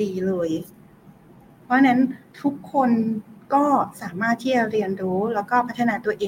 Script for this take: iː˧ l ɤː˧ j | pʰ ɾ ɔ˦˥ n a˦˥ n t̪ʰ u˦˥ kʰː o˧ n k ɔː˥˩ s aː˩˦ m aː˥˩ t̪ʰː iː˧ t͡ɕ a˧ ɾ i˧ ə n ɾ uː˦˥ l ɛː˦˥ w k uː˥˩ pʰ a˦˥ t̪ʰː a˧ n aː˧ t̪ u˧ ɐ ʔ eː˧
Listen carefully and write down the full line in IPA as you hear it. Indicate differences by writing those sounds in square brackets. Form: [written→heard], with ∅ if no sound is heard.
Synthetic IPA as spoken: iː˧ l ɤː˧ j | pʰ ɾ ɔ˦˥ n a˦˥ n t̪ʰ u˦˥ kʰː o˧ n k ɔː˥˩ s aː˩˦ m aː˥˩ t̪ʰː [iː˧→iː˥˩] t͡ɕ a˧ ɾ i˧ ə n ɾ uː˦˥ l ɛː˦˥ w k [uː˥˩→ɔː˥˩] pʰ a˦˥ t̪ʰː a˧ n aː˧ t̪ u˧ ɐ ʔ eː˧